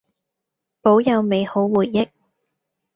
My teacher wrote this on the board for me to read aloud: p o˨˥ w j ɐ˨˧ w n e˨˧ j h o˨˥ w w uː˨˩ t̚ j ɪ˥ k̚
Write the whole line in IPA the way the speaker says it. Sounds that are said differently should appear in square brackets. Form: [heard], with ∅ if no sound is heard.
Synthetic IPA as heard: p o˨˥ w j ɐ˨˧ w [m] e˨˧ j h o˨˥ w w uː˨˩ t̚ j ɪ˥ k̚